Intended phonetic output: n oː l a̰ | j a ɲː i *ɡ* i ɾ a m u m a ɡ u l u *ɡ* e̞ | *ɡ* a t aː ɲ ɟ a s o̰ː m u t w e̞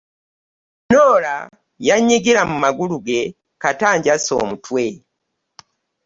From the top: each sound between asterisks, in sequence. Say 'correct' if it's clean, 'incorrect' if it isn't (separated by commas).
correct, correct, incorrect